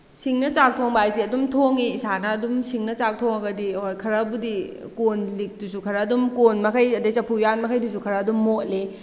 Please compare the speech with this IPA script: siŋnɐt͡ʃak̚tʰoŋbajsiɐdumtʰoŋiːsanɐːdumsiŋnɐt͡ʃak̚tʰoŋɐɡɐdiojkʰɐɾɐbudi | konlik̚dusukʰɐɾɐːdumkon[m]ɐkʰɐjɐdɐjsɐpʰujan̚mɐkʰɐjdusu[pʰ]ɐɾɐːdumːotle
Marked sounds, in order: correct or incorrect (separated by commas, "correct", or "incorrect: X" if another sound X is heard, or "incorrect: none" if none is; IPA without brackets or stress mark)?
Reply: correct, incorrect: kʰ